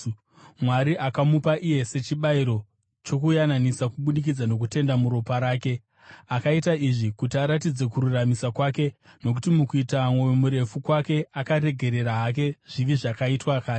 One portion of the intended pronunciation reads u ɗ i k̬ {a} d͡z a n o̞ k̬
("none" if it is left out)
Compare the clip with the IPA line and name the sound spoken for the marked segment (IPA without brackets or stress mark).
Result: i